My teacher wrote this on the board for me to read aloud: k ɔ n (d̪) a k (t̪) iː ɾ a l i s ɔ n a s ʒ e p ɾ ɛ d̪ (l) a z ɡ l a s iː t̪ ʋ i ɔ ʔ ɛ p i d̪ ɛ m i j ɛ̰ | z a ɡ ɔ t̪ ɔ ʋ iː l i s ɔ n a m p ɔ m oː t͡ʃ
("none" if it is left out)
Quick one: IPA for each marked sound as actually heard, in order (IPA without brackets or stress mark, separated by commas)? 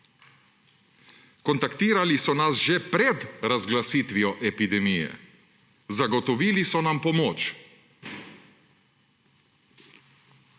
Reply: t̪, t̪, ɾ